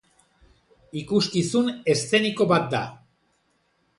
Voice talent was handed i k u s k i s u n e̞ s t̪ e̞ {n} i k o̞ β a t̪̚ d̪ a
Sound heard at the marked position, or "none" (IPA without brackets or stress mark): n